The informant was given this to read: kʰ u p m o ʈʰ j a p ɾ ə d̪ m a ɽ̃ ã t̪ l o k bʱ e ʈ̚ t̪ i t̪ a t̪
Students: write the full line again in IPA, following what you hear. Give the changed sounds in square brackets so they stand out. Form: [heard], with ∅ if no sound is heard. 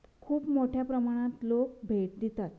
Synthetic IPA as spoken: kʰ [uː] p m o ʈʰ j a p ɾ ə [∅] m a ɽ̃ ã t̪ l o k bʱ e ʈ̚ [d̪] i t̪ a t̪